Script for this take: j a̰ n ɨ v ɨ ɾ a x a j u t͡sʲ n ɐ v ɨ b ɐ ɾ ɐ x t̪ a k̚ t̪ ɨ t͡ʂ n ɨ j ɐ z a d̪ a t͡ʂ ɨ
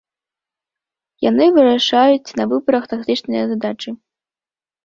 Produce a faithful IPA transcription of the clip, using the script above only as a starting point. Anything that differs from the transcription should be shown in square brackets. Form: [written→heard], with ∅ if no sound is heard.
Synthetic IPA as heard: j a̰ n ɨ v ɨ ɾ a [x→ʂ] a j u t͡sʲ n ɐ v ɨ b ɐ ɾ ɐ x t̪ a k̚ t̪ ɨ t͡ʂ n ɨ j ɐ z a d̪ a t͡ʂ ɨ